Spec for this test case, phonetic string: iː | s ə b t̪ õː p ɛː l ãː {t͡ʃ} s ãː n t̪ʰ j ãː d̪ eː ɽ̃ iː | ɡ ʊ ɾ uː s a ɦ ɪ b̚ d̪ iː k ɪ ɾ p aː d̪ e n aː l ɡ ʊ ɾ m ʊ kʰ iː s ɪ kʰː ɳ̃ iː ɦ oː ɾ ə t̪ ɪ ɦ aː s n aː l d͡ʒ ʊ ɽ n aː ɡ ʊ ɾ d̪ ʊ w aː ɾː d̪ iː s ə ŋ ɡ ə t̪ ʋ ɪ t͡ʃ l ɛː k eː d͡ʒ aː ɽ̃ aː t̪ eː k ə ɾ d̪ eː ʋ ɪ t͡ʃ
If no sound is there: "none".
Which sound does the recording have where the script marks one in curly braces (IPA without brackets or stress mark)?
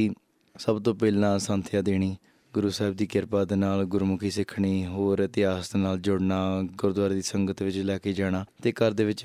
none